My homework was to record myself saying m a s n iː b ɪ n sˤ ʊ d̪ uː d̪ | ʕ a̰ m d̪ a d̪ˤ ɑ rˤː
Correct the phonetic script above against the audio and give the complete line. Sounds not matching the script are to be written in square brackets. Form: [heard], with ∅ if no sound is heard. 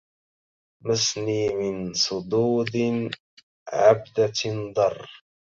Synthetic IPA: m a s n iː [m] ɪ n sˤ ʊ d̪ uː d̪ | ʕ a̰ [b] d̪ a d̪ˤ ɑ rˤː

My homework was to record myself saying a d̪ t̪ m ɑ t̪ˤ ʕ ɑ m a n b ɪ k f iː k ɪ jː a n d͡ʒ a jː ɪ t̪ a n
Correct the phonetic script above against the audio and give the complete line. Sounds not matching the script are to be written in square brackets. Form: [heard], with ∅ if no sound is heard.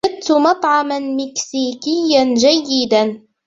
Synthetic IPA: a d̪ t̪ m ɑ t̪ˤ ʕ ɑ m a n [m] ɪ k [s] iː k ɪ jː a n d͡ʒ a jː ɪ [d̪] a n

